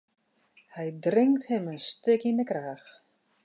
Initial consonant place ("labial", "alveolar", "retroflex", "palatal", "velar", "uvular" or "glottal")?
glottal